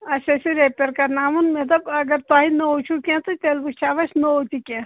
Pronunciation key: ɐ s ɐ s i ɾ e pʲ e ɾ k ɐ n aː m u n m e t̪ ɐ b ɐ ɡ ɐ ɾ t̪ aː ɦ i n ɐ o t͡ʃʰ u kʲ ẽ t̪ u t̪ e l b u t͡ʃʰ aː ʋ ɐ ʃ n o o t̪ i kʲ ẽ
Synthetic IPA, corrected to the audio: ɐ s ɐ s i ɾ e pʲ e ɾ k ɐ n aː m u n m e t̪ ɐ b ɐ ɡ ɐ ɾ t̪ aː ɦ i n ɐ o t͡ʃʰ u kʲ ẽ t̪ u t̪ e l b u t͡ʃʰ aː ʋ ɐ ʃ n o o t̪ i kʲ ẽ